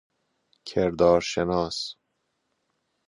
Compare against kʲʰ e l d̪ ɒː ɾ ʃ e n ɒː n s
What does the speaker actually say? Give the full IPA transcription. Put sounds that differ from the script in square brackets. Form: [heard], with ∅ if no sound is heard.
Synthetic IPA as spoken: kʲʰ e [ɾ] d̪ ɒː ɾ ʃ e n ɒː [∅] s